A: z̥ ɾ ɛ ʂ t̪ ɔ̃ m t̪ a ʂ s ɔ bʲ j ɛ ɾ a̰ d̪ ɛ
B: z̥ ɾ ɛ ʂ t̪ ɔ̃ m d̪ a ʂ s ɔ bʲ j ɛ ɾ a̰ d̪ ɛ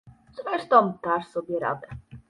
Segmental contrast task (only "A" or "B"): A